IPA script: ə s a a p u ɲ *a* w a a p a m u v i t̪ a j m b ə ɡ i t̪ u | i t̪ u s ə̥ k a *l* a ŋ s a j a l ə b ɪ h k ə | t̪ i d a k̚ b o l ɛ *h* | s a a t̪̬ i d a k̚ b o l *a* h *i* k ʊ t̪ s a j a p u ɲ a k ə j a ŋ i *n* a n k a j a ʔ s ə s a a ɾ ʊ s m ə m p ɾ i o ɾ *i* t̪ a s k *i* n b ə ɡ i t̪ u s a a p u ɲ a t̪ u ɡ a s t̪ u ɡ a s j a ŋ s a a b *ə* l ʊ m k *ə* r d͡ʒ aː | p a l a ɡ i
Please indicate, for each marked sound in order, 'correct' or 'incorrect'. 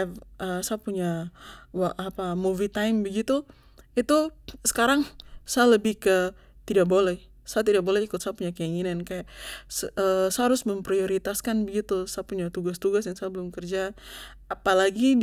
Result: correct, incorrect: ɾ, correct, incorrect: ɛ, correct, correct, correct, incorrect: a, correct, correct

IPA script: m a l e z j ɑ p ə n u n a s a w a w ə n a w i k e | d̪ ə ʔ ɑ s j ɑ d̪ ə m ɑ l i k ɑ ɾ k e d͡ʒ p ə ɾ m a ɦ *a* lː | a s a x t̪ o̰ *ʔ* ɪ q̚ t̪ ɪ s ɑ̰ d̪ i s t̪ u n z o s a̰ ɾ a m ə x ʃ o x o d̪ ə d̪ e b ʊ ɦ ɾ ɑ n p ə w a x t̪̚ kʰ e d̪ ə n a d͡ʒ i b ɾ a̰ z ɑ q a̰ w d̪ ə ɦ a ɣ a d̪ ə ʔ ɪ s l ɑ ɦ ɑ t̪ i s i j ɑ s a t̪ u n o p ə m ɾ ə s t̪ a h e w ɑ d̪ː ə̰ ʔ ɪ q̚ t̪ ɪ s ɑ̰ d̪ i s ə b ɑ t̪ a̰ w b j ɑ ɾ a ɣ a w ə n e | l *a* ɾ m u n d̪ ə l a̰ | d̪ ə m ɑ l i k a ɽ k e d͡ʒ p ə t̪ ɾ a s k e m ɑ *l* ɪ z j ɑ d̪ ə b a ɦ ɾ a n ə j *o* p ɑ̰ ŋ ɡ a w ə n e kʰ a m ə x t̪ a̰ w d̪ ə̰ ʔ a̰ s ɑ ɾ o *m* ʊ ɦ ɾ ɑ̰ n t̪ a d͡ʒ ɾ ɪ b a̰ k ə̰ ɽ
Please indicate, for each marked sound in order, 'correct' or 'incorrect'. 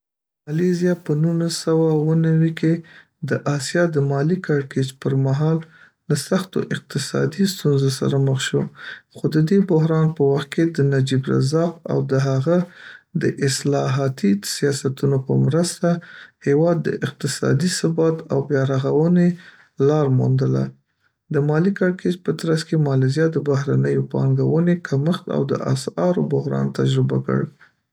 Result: incorrect: ɑ, correct, incorrect: ɑ, correct, correct, incorrect: b

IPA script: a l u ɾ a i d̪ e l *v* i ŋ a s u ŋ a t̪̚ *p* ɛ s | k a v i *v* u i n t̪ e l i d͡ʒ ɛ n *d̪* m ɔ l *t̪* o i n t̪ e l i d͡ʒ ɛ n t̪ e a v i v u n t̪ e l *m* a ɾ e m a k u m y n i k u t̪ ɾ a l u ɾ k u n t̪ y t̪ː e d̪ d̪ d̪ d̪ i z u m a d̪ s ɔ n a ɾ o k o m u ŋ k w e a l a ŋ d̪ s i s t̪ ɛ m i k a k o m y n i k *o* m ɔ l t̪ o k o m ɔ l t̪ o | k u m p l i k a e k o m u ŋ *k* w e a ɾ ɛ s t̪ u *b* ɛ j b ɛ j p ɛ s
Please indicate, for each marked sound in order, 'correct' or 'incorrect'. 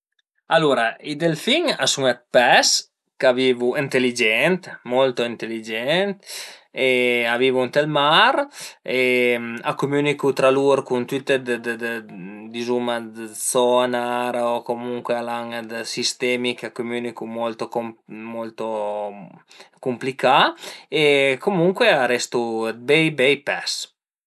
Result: incorrect: f, correct, correct, incorrect: t̪, correct, correct, incorrect: u, correct, correct

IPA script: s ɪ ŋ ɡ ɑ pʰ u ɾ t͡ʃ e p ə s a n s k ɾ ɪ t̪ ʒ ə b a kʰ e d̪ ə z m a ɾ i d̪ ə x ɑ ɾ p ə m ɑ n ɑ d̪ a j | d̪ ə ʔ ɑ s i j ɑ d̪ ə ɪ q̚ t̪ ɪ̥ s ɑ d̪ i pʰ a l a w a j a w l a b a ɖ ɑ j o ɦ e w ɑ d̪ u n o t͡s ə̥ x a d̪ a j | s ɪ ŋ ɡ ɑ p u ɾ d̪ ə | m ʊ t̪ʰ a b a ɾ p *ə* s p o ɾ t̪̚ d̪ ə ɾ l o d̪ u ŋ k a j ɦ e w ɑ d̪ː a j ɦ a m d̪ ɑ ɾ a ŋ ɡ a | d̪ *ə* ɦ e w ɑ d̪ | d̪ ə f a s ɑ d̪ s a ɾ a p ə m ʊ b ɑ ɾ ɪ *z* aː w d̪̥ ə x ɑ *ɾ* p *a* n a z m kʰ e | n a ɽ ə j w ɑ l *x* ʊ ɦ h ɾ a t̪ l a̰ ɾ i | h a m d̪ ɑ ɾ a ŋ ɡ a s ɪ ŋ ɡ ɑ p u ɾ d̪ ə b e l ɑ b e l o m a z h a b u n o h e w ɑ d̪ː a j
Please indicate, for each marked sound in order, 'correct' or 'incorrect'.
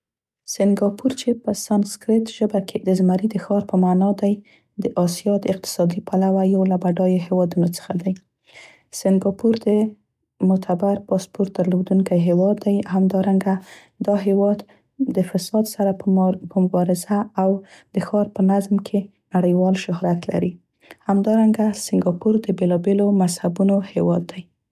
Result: incorrect: ɑ, incorrect: ɑ, correct, correct, incorrect: ə, incorrect: ʃ

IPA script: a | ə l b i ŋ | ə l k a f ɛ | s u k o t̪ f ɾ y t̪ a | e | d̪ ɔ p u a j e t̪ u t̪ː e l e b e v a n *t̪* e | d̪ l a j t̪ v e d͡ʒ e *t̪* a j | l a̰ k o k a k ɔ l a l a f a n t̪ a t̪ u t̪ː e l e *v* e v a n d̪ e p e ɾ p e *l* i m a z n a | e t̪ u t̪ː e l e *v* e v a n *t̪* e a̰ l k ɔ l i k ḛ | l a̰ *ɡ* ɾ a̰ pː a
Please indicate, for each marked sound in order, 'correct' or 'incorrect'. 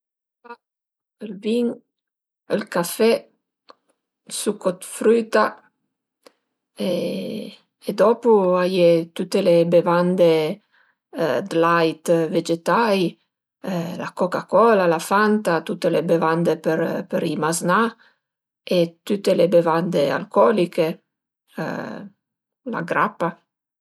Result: incorrect: d̪, correct, incorrect: b, incorrect: ɾ, incorrect: b, incorrect: d̪, correct

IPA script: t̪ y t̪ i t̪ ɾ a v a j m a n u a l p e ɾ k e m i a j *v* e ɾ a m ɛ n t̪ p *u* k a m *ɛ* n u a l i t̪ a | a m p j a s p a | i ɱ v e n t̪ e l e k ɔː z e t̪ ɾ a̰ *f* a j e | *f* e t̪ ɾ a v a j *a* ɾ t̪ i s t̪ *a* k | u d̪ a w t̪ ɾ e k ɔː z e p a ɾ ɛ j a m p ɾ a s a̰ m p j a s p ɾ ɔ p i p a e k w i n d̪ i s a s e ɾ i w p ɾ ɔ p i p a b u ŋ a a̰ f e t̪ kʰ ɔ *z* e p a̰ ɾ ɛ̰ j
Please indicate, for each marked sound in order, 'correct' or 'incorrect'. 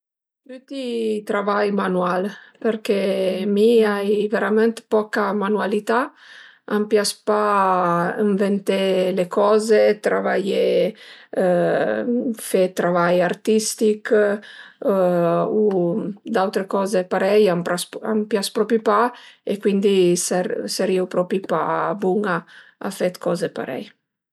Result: correct, incorrect: ɔ, incorrect: a, incorrect: v, correct, correct, incorrect: i, correct

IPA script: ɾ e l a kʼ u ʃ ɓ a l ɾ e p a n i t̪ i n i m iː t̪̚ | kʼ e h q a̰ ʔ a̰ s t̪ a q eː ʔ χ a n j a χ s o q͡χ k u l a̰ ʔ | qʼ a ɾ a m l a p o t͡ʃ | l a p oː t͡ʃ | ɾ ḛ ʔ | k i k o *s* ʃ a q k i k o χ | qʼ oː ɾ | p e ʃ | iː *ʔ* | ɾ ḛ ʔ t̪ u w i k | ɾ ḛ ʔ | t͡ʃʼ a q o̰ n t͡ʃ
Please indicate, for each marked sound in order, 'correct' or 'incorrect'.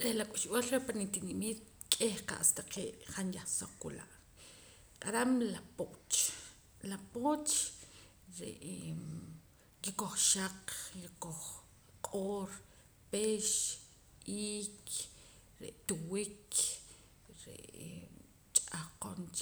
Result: incorrect: χ, incorrect: k

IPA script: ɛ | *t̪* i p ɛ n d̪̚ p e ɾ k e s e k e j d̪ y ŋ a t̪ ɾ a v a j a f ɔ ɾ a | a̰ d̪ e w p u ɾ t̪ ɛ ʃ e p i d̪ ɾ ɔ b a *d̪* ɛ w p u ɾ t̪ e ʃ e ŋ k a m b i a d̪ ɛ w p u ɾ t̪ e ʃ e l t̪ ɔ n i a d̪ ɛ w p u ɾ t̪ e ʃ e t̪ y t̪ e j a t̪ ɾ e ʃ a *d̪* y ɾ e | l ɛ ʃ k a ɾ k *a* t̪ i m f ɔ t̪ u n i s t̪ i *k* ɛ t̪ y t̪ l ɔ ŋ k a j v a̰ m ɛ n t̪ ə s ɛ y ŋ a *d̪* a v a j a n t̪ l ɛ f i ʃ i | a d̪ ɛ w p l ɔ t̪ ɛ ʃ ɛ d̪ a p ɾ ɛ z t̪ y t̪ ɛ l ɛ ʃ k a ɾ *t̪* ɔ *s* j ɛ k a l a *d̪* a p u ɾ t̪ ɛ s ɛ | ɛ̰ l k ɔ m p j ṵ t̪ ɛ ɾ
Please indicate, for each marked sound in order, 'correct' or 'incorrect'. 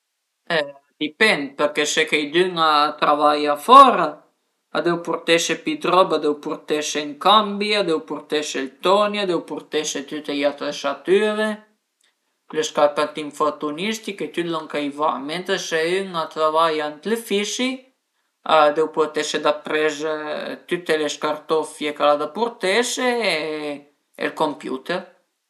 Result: incorrect: d̪, correct, incorrect: t̪, correct, correct, incorrect: t̪, correct, incorrect: f, correct

